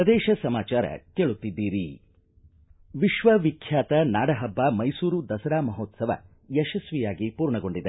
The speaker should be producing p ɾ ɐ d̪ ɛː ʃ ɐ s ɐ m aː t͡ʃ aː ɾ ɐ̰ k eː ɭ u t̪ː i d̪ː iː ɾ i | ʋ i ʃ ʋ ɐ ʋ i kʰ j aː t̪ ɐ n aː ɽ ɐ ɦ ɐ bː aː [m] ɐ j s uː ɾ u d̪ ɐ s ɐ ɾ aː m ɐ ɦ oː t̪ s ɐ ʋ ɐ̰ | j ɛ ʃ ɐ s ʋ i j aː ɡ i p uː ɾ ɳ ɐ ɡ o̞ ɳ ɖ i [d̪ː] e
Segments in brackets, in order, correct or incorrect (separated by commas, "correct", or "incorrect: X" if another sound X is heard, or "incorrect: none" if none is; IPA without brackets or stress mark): correct, incorrect: d̪